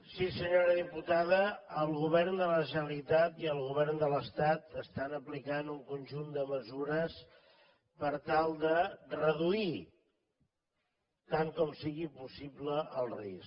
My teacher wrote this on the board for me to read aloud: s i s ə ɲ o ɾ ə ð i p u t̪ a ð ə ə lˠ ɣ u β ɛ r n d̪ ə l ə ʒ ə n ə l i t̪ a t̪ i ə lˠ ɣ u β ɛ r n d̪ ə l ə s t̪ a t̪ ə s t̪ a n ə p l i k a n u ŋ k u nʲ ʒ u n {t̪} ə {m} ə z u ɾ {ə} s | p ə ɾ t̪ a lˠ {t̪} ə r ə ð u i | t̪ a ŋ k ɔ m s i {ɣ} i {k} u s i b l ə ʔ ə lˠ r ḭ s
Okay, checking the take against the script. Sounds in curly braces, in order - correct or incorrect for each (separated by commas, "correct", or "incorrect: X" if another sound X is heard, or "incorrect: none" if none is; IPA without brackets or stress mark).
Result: incorrect: d̪, correct, correct, incorrect: d̪, correct, incorrect: p